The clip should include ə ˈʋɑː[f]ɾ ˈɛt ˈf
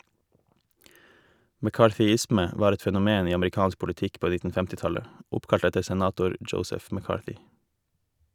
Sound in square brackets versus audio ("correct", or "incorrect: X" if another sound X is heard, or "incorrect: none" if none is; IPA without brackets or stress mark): incorrect: none